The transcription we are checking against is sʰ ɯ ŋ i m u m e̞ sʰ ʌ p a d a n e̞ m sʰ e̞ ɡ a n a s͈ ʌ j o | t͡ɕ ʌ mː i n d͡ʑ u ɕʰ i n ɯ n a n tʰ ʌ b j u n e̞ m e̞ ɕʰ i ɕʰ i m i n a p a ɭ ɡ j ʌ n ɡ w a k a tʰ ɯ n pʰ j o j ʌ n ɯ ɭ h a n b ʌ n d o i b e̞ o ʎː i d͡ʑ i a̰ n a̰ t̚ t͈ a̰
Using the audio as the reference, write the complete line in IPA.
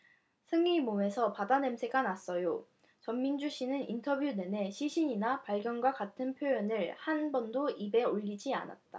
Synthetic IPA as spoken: sʰ ɯ ŋ i m o m e̞ sʰ ʌ p a d a n e̞ m sʰ e̞ ɡ a n a s͈ ʌ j o | t͡ɕ ʌ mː i n d͡ʑ u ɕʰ i n ɯ n i n tʰ ʌ b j u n e̞ n e̞ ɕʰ i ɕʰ i ɲ i n a p a ɭ ɡ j ʌ n ɡ w a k a tʰ ɯ n pʰ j o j ʌ n ɯ ɭ h a n b ʌ n d o i b e̞ o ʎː i d͡ʑ i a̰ n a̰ t̚ t͈ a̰